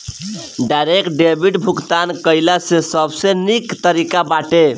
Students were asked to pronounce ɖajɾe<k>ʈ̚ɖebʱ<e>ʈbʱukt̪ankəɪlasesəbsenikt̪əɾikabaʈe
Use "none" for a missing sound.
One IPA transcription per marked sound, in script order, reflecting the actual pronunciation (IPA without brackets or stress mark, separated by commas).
k, i